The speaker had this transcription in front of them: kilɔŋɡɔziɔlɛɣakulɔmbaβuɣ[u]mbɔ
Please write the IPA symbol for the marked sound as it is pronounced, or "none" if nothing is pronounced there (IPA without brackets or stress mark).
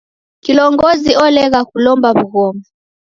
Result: ɔ